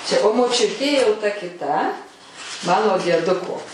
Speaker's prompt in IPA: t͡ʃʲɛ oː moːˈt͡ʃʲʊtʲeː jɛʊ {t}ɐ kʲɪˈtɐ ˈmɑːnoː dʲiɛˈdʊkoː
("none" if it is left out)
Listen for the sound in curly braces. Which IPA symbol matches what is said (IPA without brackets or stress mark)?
t